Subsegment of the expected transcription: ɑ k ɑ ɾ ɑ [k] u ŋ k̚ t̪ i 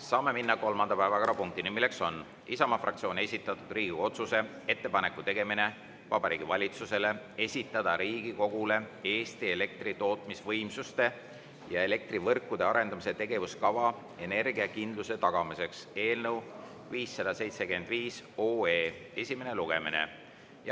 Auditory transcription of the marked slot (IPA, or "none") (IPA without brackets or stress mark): p